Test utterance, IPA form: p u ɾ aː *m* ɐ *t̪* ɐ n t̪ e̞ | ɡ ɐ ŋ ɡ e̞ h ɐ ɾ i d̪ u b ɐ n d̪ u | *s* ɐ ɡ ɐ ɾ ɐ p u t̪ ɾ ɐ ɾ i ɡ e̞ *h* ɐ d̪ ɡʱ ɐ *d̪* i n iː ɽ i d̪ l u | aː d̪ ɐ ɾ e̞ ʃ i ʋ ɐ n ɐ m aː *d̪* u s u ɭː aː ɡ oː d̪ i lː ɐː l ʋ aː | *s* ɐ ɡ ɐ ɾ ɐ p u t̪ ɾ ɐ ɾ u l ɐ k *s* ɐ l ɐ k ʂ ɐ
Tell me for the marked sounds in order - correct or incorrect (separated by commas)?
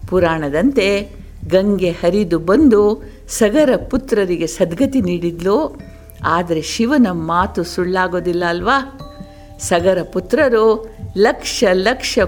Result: incorrect, incorrect, correct, incorrect, incorrect, incorrect, correct, incorrect